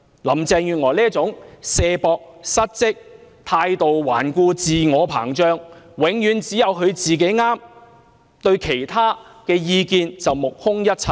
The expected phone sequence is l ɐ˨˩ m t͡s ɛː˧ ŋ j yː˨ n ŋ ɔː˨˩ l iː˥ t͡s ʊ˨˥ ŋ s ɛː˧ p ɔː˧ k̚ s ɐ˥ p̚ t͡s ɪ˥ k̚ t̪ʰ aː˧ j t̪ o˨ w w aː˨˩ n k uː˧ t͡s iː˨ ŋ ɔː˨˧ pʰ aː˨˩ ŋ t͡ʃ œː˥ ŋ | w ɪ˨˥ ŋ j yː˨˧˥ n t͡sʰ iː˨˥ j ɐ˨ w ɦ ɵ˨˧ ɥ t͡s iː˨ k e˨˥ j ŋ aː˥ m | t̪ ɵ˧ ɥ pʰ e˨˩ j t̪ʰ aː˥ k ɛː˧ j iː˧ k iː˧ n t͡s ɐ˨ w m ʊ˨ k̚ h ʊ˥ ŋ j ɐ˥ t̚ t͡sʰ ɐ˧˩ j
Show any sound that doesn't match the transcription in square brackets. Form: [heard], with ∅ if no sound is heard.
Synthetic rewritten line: l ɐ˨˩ m t͡s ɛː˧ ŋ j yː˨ n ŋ ɔː˨˩ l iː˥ t͡s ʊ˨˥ ŋ s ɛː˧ p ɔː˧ k̚ s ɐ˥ [t̚] t͡s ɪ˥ k̚ t̪ʰ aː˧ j t̪ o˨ w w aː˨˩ n k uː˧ t͡s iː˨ ŋ ɔː˨˧ pʰ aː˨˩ ŋ t͡ʃ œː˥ ŋ | w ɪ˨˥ ŋ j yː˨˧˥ n [t͡s] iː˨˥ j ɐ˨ w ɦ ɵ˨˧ ɥ t͡s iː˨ k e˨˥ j ŋ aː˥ m | t̪ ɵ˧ ɥ [kʰ] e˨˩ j t̪ʰ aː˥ k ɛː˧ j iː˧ k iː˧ n t͡s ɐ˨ w m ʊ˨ k̚ h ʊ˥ ŋ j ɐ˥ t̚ t͡sʰ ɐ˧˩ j